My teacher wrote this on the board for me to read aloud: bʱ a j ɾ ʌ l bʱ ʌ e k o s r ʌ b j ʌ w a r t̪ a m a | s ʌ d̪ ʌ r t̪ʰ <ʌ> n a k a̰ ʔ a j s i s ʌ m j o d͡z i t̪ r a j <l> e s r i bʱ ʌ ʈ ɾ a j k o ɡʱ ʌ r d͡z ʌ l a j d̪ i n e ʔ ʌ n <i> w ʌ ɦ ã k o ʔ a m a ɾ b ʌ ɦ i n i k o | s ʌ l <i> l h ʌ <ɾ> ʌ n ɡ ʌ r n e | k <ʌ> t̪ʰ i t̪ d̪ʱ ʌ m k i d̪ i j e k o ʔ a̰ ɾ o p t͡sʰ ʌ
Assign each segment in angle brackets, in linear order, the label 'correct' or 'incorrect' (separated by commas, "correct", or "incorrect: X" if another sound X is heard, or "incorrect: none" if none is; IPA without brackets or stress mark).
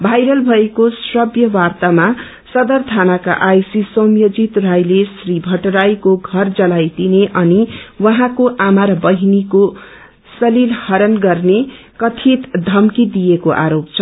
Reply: incorrect: a, correct, correct, correct, correct, correct